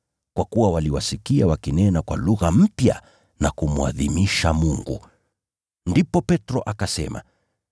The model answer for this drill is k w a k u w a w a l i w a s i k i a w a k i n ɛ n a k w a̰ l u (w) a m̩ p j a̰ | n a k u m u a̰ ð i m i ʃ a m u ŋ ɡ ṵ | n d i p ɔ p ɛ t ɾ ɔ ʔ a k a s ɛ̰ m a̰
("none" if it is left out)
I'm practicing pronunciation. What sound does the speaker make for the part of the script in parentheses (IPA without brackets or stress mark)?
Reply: ɣ